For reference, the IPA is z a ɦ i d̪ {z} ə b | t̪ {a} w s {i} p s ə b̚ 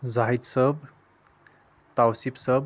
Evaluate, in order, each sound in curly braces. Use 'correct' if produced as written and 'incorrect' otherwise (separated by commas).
incorrect, correct, correct